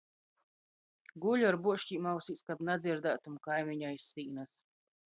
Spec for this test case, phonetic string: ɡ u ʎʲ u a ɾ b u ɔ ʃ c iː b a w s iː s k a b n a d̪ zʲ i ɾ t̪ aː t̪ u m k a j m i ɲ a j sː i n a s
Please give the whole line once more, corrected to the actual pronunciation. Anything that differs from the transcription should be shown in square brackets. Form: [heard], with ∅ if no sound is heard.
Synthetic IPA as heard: ɡ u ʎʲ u a ɾ b u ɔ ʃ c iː [m] a w s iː s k a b n a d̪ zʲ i ɾ [d̪] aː t̪ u m k a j m i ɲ a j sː [iː] n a s